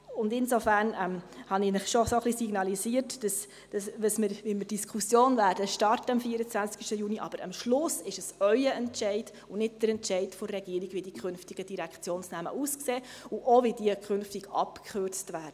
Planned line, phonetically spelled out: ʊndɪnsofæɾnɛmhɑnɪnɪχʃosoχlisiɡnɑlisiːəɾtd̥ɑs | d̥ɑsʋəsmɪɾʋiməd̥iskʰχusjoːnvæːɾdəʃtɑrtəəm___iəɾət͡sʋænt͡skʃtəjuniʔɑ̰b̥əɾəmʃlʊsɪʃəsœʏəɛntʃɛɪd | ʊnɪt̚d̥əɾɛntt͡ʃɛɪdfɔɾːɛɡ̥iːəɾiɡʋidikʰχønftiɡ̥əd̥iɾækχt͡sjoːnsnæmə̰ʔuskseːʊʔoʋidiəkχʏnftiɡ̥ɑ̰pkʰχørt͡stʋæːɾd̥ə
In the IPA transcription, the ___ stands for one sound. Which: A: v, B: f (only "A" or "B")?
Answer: B